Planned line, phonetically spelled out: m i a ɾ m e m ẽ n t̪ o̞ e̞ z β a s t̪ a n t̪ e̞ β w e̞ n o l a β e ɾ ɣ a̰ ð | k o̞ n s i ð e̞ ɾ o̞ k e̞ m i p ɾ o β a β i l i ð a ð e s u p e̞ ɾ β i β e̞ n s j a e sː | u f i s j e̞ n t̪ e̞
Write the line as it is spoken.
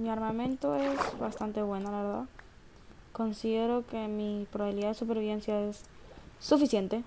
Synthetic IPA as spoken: m i a ɾ m a m ẽ n t̪ o̞ e̞ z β a s t̪ a n t̪ e̞ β w e̞ n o l a β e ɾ ð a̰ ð | k o̞ n s i ð e̞ ɾ o̞ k e̞ m i p ɾ o β a β i l i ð a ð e s u p e̞ ɾ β i β e̞ n s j a e sː | u f i s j e̞ n t̪ e̞